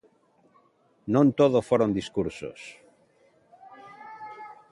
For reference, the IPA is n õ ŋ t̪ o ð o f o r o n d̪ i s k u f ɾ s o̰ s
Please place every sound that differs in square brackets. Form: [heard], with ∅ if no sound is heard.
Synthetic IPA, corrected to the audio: n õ [n] t̪ o ð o f o [ɾ] o n d̪ i s k u [∅] ɾ s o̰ s